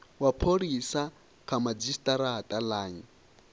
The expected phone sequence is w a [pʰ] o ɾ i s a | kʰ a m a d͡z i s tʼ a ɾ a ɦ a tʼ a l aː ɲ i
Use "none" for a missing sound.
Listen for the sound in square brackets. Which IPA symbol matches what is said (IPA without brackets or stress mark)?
pʰ